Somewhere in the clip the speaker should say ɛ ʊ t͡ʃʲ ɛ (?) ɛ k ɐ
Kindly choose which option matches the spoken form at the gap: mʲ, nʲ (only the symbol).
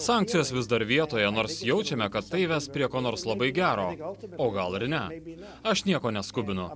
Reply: mʲ